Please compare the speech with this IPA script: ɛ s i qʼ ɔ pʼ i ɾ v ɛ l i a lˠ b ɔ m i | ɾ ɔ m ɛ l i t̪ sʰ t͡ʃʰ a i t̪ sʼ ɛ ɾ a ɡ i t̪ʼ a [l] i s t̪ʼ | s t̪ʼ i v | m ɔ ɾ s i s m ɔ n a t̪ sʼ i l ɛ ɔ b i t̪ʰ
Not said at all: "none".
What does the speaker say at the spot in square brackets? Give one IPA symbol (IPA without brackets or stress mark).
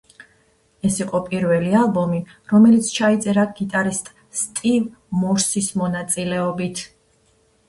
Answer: ɾ